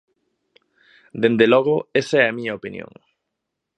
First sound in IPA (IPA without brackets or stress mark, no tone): d̪